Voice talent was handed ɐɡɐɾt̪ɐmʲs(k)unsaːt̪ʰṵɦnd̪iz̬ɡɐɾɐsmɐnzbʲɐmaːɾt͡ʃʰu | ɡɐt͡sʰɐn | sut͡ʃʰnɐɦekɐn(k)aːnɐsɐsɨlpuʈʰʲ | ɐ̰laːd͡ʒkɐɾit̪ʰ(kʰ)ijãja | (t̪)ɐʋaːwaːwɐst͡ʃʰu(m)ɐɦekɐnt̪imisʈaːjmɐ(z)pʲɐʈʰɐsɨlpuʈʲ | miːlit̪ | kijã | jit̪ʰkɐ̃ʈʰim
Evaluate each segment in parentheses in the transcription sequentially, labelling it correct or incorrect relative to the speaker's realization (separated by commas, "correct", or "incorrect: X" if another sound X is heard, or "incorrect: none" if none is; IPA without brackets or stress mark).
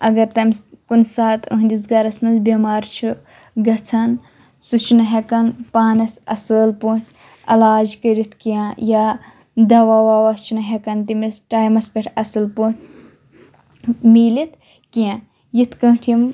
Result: correct, incorrect: p, incorrect: k, incorrect: d̪, incorrect: n, incorrect: s